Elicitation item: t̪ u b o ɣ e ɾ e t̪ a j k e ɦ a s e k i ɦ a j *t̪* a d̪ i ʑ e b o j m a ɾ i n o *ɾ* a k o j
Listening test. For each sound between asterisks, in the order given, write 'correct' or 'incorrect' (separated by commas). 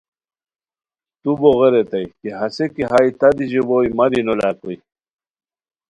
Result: correct, incorrect